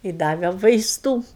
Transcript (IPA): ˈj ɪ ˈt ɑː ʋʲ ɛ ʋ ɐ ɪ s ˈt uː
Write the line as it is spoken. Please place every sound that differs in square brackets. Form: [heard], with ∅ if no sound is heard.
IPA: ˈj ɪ [ˈd] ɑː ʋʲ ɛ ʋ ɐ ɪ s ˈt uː